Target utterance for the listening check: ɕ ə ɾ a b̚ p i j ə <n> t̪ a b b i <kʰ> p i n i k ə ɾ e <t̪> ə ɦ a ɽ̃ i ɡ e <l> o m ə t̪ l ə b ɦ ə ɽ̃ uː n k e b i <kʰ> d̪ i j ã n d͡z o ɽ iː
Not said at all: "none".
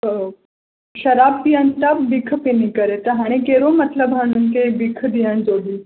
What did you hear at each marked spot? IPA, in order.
n, kʰ, t̪, ɾ, kʰ

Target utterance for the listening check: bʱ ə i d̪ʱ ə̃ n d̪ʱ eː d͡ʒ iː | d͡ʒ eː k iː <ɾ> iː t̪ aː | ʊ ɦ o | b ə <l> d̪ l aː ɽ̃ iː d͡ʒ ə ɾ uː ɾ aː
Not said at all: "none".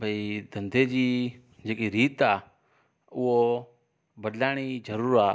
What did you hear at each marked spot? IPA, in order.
ɾ, none

